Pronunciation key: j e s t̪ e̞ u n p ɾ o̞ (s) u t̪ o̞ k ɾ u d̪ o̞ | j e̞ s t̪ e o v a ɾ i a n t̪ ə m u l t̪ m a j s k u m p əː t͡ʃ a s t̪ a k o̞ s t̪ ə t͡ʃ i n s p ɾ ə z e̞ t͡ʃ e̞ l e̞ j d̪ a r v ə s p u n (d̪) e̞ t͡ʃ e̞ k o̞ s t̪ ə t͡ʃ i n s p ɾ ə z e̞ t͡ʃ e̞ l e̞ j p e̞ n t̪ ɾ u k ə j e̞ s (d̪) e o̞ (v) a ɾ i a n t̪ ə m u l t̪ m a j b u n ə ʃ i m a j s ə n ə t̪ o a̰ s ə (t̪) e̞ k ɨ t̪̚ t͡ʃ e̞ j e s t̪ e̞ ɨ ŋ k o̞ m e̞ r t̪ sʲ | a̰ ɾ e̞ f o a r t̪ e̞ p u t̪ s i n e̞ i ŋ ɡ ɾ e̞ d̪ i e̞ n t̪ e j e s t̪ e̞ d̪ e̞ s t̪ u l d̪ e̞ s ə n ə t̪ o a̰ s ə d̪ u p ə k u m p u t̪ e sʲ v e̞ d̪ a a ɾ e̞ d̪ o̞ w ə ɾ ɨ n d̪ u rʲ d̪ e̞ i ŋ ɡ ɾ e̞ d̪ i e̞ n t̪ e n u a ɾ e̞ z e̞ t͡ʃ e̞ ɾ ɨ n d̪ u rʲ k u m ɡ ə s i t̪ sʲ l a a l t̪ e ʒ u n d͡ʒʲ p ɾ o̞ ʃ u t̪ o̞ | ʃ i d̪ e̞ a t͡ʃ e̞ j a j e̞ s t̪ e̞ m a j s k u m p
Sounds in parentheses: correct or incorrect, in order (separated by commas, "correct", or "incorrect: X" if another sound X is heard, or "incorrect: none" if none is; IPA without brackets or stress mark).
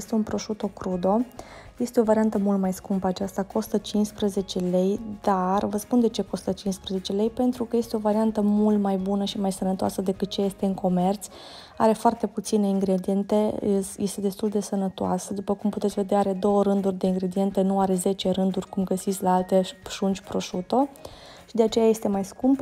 incorrect: ʃ, correct, incorrect: t̪, correct, incorrect: d̪